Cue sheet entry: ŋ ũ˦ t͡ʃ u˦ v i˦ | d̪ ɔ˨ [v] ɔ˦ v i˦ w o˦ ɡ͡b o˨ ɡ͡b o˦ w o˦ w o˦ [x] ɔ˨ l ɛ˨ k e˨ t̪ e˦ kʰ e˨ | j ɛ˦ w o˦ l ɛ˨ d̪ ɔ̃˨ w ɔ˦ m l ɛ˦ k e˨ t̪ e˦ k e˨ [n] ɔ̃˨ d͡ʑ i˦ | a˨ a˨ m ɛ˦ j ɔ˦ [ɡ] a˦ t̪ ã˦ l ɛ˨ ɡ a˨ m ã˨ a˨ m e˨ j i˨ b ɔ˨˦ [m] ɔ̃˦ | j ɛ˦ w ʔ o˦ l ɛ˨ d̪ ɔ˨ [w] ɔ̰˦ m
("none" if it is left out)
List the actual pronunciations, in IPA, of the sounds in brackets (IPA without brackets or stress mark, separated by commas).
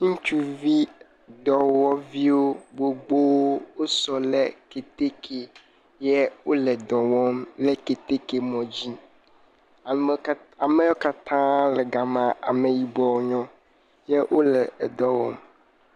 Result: w, s, m, k, ɲ, w